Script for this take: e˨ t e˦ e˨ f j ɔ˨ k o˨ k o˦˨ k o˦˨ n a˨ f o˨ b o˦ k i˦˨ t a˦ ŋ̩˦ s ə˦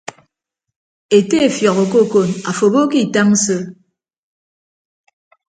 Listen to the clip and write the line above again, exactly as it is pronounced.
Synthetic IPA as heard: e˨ t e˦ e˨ f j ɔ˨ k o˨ k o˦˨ k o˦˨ n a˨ f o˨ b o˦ k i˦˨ t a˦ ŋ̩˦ s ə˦